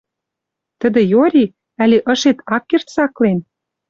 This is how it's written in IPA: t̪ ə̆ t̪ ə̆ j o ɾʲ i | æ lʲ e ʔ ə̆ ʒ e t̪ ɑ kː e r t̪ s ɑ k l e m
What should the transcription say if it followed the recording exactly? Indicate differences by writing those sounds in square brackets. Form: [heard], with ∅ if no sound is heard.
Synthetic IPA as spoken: t̪ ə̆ [d̪] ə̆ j o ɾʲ i | æ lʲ e ʔ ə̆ [ʃ] e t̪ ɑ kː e r t̪ s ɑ k l e [n]

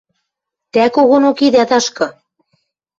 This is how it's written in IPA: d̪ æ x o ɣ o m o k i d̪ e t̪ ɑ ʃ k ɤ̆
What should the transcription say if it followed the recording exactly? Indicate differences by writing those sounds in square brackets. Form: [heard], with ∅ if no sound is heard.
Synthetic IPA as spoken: [t̪] æ [k] o ɣ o [n] o k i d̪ [æ] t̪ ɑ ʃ k ɤ̆

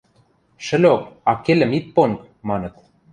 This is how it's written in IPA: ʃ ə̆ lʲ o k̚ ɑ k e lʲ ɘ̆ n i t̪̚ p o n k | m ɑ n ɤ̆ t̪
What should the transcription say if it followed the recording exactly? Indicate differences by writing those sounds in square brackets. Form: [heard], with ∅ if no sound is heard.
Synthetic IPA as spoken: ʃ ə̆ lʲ o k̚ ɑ k e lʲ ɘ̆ [m] i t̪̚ p o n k | m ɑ n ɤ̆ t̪

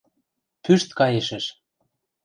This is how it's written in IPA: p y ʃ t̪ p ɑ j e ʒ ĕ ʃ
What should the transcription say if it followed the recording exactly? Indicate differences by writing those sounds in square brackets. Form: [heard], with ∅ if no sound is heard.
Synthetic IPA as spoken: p y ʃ t̪ [k] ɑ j e [ʃ] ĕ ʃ

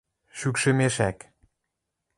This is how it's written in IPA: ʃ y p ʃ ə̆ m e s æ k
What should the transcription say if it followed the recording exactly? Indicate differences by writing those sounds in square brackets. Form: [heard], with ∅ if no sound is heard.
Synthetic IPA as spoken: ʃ y [k] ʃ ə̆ m e [ʃ] æ k

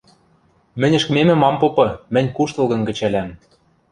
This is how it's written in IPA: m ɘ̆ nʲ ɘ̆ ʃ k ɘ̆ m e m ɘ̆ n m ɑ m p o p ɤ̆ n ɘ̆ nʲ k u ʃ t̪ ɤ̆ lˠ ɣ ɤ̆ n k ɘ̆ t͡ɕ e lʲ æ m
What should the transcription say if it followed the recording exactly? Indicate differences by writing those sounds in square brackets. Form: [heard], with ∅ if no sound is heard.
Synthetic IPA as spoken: m ɘ̆ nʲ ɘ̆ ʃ k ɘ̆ m e m ɘ̆ [∅] m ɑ m p o p ɤ̆ [m] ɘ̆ nʲ k u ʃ t̪ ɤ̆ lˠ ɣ ɤ̆ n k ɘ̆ t͡ɕ [æ] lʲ æ m

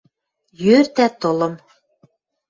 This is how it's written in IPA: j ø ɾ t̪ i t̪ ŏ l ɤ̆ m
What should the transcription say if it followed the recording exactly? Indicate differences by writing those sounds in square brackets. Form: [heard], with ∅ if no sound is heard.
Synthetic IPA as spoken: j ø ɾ t̪ [æ] t̪ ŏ l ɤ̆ m

